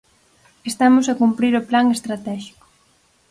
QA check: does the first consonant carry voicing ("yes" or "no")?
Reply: no